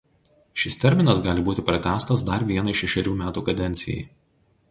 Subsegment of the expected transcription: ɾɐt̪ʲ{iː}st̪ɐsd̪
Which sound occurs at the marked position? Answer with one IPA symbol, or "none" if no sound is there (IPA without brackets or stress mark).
æː